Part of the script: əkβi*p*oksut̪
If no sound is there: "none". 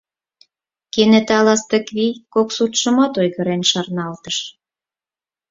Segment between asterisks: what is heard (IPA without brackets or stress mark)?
k